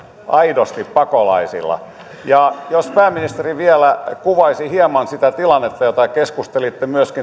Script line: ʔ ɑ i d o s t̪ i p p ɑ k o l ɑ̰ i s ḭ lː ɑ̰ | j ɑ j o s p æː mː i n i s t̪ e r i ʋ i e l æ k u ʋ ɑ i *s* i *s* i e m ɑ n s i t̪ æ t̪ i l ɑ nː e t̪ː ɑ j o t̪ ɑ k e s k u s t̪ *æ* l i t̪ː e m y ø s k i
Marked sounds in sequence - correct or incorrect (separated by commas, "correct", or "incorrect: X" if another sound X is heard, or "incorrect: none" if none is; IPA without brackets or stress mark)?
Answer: correct, incorrect: h, incorrect: e